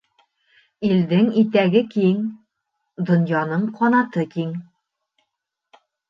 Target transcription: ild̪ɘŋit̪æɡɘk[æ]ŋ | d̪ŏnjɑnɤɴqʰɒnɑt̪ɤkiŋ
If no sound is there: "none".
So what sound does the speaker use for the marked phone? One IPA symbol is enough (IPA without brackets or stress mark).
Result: i